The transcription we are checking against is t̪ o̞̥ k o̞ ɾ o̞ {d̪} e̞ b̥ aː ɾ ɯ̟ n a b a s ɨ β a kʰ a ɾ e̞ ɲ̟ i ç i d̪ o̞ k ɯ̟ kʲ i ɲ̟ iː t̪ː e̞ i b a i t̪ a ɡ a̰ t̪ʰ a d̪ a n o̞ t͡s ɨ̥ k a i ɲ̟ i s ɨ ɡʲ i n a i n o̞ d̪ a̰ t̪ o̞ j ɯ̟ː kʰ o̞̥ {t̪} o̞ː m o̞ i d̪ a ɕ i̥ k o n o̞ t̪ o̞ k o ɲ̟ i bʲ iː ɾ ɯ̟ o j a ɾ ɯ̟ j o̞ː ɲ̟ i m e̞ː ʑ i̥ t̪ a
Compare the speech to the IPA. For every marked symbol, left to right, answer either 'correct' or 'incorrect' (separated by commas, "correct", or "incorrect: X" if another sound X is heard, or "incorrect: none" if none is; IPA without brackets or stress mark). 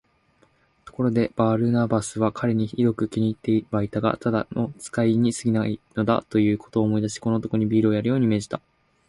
correct, correct